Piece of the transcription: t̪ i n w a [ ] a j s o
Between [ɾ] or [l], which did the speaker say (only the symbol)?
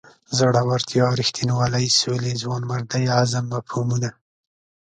l